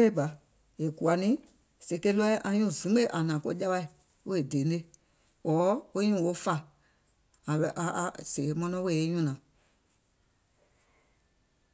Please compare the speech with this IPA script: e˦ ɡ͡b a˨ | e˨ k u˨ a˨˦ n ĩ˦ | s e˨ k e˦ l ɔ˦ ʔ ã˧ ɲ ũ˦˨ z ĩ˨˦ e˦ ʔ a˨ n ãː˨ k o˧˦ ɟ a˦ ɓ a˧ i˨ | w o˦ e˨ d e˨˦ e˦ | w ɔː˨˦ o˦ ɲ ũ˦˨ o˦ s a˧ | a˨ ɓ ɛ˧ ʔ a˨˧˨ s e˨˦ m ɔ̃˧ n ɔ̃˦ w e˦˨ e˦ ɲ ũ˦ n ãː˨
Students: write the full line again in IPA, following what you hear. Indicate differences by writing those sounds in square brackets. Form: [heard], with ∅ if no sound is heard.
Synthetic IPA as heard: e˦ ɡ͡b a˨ | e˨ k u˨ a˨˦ n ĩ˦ | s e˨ k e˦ l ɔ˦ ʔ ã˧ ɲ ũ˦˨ z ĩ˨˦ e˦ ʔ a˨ n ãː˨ k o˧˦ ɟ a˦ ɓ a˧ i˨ | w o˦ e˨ d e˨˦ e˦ | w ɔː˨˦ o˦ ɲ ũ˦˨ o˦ [f] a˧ | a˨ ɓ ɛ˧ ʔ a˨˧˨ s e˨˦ m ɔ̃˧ n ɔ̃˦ w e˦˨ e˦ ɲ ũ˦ n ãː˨